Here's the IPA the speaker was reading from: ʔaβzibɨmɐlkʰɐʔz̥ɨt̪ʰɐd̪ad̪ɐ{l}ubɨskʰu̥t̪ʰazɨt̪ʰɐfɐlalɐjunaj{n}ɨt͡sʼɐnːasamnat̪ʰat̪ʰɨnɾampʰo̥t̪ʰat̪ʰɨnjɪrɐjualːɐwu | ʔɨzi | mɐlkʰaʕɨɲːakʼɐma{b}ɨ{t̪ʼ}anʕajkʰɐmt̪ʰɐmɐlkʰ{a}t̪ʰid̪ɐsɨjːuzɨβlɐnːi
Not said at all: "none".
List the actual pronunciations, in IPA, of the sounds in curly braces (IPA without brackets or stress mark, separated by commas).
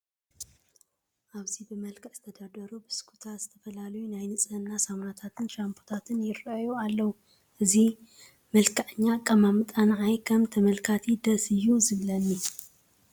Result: ɾ, n, m, t̪ʼ, a